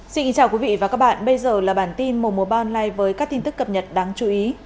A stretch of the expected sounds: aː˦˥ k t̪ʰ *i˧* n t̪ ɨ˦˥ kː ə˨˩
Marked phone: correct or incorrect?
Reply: correct